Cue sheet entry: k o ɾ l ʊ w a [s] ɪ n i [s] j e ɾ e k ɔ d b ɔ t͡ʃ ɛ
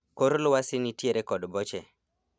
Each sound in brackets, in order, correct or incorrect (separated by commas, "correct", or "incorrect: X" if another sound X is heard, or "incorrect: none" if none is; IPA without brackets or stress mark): correct, incorrect: t